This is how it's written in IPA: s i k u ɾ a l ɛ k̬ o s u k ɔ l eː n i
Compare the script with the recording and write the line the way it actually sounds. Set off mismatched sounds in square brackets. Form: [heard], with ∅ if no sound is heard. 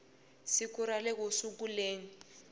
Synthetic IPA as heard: s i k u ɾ a l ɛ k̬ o s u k [u] l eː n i